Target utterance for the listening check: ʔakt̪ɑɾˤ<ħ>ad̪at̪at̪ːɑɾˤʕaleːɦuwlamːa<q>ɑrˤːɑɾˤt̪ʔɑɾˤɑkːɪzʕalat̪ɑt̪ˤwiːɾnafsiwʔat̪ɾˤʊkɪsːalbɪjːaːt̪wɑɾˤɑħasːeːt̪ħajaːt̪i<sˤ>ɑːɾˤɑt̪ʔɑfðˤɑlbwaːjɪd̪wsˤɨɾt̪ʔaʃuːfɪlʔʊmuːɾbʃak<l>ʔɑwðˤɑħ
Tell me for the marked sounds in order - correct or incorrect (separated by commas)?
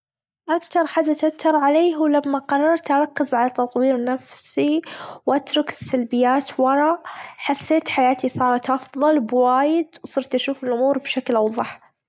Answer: correct, correct, correct, correct